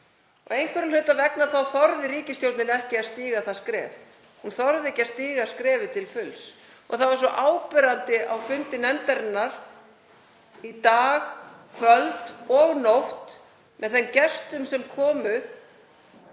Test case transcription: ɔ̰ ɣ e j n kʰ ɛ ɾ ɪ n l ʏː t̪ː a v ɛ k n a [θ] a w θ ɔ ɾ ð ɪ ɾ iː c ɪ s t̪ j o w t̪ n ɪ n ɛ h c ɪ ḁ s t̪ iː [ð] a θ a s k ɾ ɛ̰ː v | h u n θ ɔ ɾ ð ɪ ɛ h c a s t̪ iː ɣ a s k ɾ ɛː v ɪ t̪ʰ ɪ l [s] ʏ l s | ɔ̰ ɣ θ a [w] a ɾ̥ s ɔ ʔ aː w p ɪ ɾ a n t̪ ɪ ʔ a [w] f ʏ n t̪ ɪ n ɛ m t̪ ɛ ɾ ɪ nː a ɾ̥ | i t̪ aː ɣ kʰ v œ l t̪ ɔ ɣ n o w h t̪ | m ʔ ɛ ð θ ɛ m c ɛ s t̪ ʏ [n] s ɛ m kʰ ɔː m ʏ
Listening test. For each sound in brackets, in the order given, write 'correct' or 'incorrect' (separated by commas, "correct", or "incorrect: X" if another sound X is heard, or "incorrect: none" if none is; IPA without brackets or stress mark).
correct, incorrect: ɣ, incorrect: f, incorrect: v, correct, incorrect: m